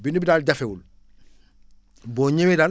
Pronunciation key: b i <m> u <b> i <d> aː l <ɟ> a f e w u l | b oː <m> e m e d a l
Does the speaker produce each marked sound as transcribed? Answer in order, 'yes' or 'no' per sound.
no, yes, yes, yes, no

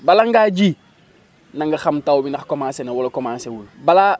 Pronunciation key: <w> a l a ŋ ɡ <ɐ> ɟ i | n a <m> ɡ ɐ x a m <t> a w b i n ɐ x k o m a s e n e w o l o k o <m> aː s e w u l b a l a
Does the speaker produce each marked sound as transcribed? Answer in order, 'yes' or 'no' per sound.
no, no, no, yes, yes

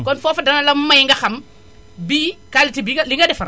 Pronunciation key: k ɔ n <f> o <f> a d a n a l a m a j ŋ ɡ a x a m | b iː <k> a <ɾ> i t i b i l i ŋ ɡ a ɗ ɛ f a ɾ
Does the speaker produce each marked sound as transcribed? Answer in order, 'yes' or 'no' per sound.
yes, yes, yes, no

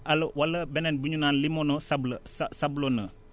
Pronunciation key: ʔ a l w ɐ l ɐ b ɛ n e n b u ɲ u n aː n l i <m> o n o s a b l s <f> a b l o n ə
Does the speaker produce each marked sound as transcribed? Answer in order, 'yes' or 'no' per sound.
yes, no

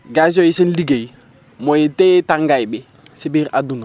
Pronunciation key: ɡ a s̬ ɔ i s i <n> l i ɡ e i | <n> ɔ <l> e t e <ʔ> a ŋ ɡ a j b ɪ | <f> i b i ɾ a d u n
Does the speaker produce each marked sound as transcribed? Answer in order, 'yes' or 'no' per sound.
yes, no, no, no, no

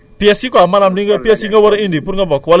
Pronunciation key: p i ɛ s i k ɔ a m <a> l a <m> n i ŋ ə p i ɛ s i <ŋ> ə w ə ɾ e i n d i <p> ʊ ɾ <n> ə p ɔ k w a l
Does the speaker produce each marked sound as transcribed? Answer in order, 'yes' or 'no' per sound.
yes, yes, yes, yes, no

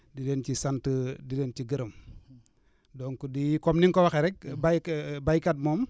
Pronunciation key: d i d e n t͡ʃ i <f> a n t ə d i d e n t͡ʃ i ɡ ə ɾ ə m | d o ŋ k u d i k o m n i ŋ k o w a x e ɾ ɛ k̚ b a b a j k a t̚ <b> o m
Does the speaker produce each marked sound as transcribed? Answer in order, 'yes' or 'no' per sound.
no, no

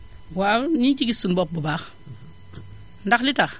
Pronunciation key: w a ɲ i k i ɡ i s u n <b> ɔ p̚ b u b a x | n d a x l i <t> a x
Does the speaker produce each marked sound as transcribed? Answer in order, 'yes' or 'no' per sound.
yes, yes

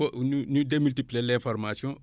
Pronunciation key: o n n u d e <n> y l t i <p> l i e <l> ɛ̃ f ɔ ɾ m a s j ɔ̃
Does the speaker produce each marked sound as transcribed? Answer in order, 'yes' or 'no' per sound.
no, yes, yes

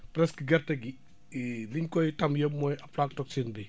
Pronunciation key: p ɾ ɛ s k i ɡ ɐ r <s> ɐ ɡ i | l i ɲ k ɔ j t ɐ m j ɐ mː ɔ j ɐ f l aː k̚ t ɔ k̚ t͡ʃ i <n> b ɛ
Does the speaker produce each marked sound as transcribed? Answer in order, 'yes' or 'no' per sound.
no, yes

